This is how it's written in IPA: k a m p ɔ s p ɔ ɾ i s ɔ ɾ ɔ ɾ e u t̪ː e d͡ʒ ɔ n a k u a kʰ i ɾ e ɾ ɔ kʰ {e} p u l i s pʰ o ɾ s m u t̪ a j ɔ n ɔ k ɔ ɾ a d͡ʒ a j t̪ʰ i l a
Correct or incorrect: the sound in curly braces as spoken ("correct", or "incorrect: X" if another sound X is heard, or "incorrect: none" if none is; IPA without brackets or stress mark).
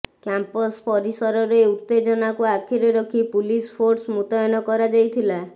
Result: incorrect: i